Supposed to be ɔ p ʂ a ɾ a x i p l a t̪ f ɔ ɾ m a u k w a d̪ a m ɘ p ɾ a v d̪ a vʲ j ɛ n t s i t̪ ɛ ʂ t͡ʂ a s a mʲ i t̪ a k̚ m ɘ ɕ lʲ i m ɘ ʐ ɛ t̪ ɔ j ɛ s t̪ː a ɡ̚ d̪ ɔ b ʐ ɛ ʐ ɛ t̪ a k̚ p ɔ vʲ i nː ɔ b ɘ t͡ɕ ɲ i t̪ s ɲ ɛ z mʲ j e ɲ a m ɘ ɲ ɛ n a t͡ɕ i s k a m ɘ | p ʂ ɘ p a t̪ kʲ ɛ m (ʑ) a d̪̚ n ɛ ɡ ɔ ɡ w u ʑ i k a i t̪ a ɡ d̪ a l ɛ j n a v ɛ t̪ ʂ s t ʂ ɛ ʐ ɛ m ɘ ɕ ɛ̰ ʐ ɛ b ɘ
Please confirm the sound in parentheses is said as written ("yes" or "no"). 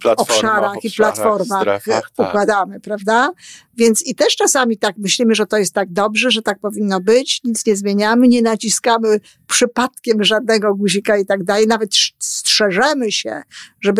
no